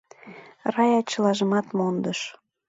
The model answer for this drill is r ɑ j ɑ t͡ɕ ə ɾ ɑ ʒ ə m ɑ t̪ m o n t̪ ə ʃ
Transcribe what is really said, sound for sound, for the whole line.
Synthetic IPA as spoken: r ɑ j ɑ t͡ɕ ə l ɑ ʒ ə m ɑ t̪ m o n d̪ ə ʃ